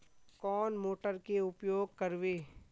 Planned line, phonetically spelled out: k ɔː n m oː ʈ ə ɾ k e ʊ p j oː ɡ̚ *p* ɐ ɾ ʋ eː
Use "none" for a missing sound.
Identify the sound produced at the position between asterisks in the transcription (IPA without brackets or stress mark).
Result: k